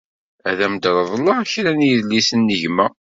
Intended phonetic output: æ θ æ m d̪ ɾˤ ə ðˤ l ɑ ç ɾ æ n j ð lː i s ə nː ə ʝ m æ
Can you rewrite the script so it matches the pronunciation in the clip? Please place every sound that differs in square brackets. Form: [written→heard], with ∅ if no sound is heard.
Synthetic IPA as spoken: æ [θ→ð] æ m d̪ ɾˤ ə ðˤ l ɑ ç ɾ æ n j ð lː i s ə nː ə ʝ m æ

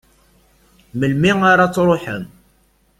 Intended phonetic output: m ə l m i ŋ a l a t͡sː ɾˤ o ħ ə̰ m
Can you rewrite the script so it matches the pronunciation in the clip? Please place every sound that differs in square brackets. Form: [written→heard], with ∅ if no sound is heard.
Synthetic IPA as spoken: m ə l m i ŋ a [l→ɾ] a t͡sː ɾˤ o ħ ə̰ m

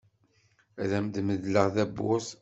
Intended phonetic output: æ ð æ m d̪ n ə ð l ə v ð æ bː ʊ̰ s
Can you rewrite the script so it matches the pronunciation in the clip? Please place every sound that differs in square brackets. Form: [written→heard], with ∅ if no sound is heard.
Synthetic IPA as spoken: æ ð æ m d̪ [n→m] ə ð l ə [v→ʁ] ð æ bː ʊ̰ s

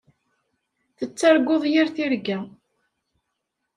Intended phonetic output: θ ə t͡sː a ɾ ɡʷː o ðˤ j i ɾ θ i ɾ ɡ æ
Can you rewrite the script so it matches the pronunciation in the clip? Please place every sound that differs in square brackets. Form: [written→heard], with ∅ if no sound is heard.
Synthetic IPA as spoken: θ ə t͡sː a ɾ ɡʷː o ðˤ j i ɾ θ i ɾ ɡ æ

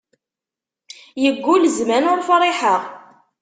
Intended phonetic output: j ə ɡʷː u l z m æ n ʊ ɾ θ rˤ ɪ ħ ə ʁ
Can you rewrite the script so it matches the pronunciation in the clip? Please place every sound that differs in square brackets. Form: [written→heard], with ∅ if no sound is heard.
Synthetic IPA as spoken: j ə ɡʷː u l z m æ n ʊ ɾ [θ→f] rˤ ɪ ħ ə ʁ

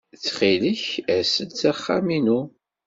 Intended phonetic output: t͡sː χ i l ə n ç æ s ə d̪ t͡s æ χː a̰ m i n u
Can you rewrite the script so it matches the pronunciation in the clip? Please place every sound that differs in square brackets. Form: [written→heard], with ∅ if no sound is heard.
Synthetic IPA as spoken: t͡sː χ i l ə [n→∅] ç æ s ə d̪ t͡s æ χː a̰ m i n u

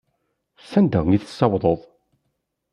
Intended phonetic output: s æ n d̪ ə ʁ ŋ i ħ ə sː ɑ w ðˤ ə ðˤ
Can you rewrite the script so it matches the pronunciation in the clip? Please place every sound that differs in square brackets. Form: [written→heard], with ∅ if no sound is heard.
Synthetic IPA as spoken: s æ n d̪ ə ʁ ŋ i [ħ→θ] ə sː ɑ w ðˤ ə ðˤ

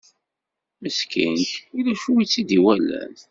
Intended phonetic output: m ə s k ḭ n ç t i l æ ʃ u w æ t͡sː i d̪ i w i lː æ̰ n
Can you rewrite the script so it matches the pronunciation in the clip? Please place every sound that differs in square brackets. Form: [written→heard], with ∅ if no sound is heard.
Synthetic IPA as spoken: m ə s k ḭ n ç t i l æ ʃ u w [æ→i] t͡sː i d̪ i w [i→æ] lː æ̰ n

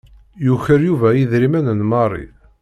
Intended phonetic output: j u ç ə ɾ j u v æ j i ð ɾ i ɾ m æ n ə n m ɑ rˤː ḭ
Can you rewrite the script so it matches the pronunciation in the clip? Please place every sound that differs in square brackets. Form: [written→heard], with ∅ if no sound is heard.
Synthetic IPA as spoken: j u ç ə ɾ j u v æ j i ð ɾ i [ɾ→∅] m æ n ə n m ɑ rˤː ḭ

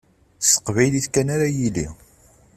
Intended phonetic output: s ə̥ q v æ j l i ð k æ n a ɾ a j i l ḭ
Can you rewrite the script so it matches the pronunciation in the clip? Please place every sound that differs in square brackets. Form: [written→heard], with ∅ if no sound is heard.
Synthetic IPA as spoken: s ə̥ q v æ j l i [ð→θ] k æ n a ɾ a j i l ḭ

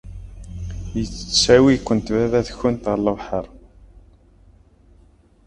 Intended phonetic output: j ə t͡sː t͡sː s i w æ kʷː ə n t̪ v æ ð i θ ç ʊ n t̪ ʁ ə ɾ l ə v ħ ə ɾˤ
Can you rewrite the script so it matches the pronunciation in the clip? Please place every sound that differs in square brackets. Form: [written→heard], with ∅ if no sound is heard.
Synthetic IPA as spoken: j ə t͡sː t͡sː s [i→æ] w [æ→i] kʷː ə n t̪ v æ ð [i→æ] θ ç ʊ n t̪ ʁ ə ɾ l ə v ħ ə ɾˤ

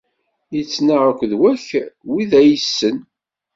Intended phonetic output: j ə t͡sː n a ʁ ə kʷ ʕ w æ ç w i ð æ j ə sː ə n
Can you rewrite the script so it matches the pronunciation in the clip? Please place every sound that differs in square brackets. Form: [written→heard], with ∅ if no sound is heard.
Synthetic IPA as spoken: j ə t͡sː n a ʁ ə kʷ [ʕ→ð] w æ ç w i ð æ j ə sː ə n

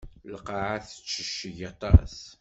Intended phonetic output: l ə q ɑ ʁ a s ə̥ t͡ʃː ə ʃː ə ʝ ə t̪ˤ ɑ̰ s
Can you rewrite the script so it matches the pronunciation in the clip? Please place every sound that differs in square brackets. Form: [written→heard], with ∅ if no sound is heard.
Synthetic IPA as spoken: l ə q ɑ [ʁ→ʕ] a [s→θ] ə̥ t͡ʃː ə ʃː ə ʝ [ə→ɑ] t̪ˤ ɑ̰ s

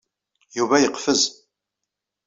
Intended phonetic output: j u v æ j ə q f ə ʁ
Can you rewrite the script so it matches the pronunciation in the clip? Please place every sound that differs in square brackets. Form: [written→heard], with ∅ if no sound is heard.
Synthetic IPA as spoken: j u v æ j ə q f ə [ʁ→z]

